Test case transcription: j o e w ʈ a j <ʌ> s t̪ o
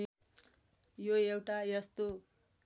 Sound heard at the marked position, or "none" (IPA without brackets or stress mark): ʌ